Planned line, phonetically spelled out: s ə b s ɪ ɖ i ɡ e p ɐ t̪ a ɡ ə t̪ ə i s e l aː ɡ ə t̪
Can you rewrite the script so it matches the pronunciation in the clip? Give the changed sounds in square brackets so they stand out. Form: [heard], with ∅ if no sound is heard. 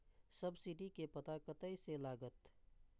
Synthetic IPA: s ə b s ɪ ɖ i [k] e p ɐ t̪ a [k] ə t̪ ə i s e l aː ɡ ə t̪